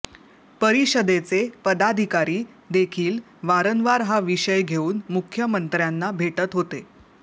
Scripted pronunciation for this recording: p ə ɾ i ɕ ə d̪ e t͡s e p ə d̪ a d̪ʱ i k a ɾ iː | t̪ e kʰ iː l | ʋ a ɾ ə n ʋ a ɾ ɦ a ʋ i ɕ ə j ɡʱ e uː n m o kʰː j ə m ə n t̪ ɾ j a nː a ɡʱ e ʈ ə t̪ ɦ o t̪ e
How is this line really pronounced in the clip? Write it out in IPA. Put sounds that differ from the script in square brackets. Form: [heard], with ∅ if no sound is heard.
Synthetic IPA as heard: p ə ɾ i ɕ ə d̪ e t͡s e p ə d̪ a d̪ʱ i k a ɾ iː | [d̪] e kʰ iː l | ʋ a ɾ ə n ʋ a ɾ ɦ a ʋ i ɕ ə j ɡʱ e uː n m [u] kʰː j ə m ə n t̪ ɾ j a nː a [bʱ] e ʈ ə t̪ ɦ o t̪ e